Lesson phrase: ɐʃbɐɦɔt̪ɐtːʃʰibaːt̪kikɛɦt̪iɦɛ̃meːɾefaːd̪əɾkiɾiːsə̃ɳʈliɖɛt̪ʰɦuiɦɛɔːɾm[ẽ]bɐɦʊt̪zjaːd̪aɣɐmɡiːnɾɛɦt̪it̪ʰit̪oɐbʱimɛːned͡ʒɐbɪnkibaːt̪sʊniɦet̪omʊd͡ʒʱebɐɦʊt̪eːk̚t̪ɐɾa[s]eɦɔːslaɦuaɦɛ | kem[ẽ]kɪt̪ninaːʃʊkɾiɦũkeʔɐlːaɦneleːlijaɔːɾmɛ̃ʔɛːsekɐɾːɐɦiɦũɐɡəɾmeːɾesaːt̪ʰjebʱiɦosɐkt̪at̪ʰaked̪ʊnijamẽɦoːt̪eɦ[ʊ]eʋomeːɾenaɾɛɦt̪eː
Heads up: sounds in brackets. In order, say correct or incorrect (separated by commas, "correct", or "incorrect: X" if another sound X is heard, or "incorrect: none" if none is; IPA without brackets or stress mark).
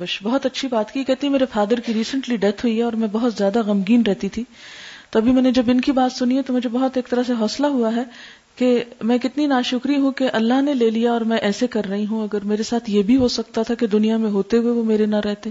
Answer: incorrect: ɛ̃, correct, incorrect: ɛ̃, incorrect: u